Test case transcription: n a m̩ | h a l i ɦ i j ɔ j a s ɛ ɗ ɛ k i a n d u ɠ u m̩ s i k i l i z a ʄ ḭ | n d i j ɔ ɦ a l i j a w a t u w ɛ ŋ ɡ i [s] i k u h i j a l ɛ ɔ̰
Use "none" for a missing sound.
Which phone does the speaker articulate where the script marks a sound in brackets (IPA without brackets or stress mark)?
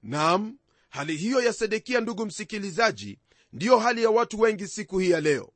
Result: s